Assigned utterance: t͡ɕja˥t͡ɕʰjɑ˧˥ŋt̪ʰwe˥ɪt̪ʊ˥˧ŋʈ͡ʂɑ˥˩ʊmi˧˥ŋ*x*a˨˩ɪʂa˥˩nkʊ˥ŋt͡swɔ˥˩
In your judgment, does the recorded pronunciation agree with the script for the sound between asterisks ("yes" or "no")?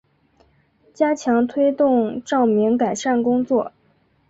no